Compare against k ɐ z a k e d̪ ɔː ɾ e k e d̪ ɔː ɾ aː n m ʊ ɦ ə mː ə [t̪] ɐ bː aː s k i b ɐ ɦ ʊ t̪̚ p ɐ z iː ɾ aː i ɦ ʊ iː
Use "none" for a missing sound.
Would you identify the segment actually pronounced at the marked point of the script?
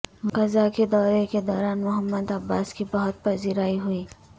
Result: d̪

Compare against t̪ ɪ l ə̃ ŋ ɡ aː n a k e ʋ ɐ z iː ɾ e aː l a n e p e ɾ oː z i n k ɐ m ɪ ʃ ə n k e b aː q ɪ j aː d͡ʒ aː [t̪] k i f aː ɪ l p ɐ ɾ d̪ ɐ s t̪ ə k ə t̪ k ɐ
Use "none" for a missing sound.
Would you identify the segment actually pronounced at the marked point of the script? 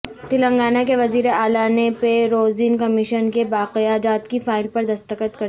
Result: t̪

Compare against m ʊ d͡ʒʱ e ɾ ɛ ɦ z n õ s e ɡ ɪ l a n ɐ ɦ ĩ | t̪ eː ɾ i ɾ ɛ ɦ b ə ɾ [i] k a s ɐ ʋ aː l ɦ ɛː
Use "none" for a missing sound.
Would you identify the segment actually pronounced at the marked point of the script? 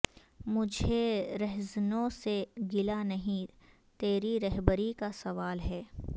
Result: i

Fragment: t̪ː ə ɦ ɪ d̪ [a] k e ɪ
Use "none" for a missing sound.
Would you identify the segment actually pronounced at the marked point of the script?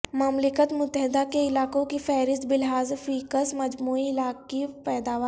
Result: a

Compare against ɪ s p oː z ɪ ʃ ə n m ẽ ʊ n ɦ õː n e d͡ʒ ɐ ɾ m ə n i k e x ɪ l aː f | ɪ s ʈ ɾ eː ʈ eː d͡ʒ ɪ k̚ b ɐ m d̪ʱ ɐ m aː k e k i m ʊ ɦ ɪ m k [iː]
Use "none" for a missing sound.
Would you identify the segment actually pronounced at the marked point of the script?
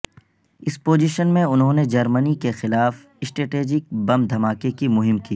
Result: iː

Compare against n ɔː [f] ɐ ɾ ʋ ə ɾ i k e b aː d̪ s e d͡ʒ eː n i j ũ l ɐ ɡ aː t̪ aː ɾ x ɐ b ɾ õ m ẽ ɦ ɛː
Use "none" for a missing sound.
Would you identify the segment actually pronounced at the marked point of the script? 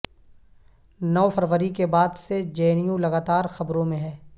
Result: f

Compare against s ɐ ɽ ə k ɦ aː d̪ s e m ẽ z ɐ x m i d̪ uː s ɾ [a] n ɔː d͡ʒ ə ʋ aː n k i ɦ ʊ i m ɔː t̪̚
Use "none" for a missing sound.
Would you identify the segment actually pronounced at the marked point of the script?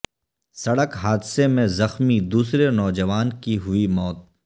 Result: e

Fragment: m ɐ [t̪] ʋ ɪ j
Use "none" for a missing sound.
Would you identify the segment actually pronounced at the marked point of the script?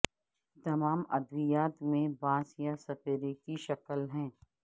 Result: d̪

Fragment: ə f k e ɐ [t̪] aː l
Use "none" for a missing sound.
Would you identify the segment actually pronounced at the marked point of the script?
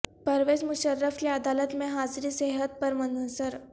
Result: d̪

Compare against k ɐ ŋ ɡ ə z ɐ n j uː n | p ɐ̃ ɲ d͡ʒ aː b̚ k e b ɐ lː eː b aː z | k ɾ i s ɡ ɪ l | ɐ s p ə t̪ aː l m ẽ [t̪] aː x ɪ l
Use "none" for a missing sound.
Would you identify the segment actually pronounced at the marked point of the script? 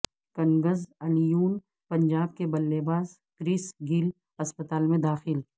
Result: d̪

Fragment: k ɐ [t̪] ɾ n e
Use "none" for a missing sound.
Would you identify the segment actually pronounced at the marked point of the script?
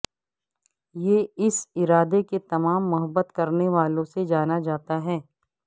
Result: none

